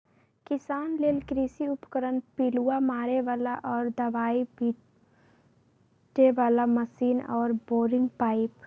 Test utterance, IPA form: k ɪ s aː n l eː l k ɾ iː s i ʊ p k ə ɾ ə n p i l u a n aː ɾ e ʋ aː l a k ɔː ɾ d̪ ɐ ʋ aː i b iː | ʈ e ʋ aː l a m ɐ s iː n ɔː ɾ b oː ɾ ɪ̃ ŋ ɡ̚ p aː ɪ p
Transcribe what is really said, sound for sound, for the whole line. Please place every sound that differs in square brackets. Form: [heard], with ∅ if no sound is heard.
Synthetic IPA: k ɪ s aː n l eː l k ɾ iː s i ʊ p k ə ɾ ə n p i l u a [m] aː ɾ e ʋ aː l a [ʔ] ɔː ɾ d̪ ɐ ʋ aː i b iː | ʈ e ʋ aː l a m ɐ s iː n ɔː ɾ b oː ɾ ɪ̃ ŋ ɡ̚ p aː ɪ p